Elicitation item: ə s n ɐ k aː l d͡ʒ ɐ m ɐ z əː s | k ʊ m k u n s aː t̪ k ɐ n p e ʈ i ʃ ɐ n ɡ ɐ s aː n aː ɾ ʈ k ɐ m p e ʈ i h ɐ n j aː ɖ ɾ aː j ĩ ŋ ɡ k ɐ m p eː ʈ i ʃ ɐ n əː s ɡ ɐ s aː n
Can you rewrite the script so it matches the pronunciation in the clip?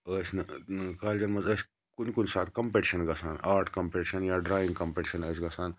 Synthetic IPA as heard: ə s n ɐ k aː l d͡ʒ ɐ m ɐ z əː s | k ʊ n k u n s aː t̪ k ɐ m p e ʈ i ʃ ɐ n ɡ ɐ s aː n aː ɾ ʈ k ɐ m p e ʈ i ʃ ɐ n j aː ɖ ɾ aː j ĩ ŋ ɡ k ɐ m p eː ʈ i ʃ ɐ n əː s ɡ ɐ s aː n